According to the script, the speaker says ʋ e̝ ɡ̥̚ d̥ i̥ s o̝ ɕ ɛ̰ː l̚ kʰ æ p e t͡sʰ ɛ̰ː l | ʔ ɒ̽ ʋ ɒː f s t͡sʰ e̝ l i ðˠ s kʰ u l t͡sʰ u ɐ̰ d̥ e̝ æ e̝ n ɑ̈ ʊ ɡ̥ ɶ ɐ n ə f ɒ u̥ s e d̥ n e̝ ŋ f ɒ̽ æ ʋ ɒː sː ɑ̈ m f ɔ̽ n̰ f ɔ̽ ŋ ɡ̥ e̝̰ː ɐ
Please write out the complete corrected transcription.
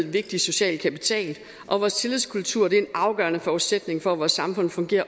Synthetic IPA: ʋ e̝ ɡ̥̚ d̥ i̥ s o̝ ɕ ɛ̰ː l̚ kʰ æ p i t͡sʰ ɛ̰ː l | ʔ ɒ̽ ʋ ɒː s t͡sʰ e̝ l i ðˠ s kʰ u l t͡sʰ u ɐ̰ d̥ e̝ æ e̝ n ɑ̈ ʊ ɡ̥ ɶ ɐ n ə f ɒ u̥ s e d̥ n e̝ ŋ f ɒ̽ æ ʋ ɒː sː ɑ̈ m f ɔ̽ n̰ f ɔ̽ ŋ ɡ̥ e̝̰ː ɐ